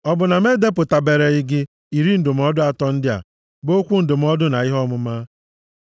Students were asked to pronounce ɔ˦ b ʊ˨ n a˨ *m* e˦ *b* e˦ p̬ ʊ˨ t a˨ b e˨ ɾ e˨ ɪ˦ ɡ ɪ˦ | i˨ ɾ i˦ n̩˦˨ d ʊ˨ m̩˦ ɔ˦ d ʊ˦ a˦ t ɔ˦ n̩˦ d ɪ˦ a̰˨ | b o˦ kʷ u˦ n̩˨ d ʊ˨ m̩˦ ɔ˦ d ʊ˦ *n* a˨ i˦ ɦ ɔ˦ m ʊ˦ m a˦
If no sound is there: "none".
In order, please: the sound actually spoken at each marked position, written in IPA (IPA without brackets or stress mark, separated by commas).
m, d, n